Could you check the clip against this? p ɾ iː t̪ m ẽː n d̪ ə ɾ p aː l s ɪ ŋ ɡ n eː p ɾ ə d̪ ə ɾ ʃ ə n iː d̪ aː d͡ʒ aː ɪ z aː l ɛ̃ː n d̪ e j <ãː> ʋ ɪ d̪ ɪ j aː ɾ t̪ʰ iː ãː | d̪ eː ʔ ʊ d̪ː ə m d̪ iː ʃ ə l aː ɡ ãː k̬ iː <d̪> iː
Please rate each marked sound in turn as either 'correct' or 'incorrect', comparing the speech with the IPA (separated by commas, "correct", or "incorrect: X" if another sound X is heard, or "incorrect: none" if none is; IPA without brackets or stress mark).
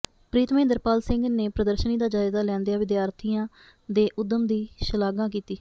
incorrect: aː, incorrect: t̪